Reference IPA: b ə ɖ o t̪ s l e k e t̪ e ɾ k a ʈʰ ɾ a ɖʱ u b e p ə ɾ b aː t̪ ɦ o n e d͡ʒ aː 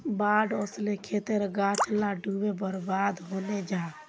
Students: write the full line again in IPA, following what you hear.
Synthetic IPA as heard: b a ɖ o s l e kʰ e t̪ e ɾ ɡ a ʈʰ l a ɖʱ u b e b ə ɾ b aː d̪ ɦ o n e d͡ʒ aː